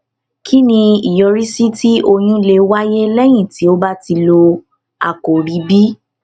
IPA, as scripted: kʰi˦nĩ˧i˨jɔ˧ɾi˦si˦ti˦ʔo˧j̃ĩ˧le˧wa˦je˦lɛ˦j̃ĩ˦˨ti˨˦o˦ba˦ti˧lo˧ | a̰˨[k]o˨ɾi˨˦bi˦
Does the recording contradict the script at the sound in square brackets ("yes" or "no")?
no